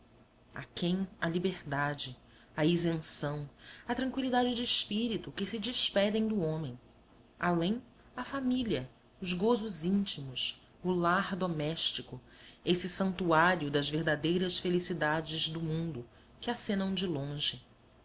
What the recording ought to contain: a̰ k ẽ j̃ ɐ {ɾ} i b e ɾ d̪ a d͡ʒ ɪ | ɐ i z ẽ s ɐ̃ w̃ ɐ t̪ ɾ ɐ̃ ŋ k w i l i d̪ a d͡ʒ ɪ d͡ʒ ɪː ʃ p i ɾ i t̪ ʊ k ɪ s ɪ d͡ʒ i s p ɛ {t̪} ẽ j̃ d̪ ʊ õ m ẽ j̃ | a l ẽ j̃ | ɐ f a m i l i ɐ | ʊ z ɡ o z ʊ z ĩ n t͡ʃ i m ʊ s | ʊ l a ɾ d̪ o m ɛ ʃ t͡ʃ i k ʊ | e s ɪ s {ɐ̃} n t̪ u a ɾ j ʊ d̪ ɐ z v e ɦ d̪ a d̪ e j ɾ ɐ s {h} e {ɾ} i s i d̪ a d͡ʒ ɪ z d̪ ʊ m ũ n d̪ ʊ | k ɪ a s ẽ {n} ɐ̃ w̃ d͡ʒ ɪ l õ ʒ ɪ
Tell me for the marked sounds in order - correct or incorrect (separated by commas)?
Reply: incorrect, incorrect, correct, incorrect, incorrect, correct